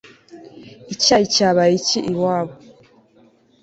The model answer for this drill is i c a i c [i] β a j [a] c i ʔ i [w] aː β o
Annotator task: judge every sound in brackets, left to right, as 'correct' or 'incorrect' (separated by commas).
incorrect, incorrect, correct